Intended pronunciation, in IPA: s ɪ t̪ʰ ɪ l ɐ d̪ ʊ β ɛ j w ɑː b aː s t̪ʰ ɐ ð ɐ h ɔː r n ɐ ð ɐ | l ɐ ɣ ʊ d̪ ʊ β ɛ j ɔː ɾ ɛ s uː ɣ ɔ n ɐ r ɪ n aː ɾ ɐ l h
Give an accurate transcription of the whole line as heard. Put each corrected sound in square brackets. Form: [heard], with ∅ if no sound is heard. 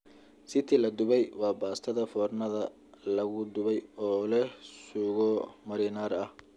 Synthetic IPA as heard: s ɪ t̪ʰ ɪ l ɐ d̪ ʊ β ɛ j w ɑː b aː s t̪ʰ ɐ ð ɐ [f] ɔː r n ɐ ð ɐ | l ɐ ɣ ʊ d̪ ʊ β ɛ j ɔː [l] ɛ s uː ɣ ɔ [m] ɐ [ɾ] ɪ n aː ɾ ɐ [∅] h